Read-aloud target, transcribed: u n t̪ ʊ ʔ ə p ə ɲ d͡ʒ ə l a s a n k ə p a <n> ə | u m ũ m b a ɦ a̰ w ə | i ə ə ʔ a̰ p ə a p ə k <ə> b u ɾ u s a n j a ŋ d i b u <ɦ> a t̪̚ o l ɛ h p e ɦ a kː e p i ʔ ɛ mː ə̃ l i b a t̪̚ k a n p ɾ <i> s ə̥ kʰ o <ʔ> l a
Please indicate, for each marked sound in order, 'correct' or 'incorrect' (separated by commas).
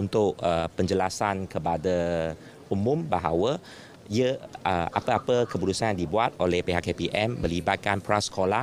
incorrect, correct, incorrect, incorrect, incorrect